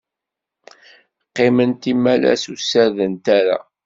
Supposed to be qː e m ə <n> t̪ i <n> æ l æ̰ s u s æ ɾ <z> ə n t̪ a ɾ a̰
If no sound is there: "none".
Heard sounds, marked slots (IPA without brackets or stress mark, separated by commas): n, m, ð